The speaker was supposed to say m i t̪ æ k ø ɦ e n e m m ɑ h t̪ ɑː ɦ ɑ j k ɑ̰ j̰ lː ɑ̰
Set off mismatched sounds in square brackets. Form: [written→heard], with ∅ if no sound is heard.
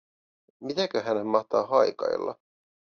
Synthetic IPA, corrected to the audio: m i t̪ æ k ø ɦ [e→æ] n e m m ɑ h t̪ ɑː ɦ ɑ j k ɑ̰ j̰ lː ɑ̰

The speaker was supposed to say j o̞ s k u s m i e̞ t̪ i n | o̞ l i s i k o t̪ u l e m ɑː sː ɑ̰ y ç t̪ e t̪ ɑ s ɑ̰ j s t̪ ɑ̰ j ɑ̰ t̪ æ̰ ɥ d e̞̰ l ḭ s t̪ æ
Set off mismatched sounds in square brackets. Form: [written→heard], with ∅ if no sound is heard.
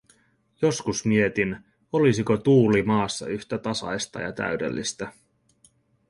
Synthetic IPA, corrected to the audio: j o̞ s k u s m i e̞ t̪ i n | o̞ l i s i k o t̪ [u→uː] l [e→i] m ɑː sː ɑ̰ y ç t̪ [e→æ] t̪ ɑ s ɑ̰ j s t̪ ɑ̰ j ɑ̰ t̪ æ̰ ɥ d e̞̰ [l→lː] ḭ s t̪ æ

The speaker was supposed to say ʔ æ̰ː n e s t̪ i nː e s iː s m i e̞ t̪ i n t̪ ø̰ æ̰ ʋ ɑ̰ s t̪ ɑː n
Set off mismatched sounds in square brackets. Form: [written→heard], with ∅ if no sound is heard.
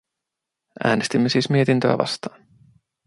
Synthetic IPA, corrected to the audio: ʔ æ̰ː n e s t̪ i [nː→mː] e s iː s m i e̞ t̪ i n t̪ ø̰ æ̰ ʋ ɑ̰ s t̪ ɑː n

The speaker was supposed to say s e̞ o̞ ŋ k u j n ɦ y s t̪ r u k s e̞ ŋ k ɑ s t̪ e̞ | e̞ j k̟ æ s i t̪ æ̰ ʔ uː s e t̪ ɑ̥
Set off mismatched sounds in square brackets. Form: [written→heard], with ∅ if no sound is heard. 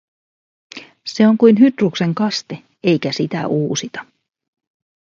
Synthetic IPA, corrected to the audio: s e̞ o̞ ŋ k u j n ɦ y [s→∅] t̪ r u k s e̞ ŋ k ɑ s t̪ e̞ | e̞ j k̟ æ s i t̪ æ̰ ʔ uː s [e→i] t̪ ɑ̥

